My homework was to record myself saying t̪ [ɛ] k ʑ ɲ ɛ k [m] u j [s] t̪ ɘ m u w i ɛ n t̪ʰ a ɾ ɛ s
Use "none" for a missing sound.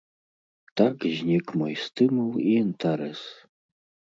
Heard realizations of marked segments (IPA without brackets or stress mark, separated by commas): a, m, s